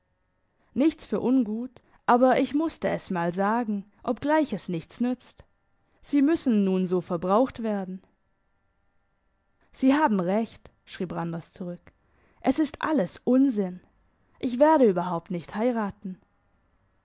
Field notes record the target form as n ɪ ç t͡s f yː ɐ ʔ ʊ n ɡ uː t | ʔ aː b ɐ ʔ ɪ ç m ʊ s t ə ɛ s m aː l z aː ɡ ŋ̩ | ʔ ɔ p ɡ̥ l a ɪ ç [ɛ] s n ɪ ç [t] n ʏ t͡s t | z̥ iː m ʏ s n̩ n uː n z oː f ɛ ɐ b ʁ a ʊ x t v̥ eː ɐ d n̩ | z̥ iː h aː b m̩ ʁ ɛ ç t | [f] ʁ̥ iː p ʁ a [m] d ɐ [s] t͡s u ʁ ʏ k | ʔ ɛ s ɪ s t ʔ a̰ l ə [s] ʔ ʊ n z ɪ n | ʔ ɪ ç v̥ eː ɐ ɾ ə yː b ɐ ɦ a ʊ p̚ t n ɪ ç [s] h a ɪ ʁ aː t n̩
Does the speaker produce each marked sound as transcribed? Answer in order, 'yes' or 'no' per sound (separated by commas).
yes, no, no, no, yes, yes, no